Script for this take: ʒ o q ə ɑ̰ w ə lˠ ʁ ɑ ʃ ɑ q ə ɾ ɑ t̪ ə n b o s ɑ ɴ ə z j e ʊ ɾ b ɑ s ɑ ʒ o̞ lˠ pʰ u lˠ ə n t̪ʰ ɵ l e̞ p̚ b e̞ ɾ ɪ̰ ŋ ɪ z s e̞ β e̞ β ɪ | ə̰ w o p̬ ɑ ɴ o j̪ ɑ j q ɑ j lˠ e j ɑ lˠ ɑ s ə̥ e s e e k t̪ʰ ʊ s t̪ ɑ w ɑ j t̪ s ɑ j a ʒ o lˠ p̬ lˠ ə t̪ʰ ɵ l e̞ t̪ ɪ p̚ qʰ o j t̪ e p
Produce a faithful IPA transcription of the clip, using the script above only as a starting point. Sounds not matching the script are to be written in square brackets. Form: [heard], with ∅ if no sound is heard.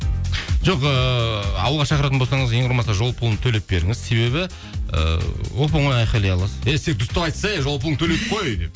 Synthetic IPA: ʒ o q ə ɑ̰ w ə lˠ ʁ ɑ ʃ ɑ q ə ɾ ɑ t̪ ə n b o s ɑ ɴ ə z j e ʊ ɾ [m] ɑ s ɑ ʒ o̞ lˠ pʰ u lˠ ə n t̪ʰ ɵ l e̞ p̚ b e̞ ɾ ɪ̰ ŋ ɪ z s e̞ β e̞ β ɪ | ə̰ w o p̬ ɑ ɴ o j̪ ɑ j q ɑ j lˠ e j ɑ lˠ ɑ s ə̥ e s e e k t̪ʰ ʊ s t̪ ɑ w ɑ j t̪ s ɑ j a ʒ o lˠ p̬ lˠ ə t̪ʰ ɵ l e̞ t̪ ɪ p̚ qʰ o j [d̪] e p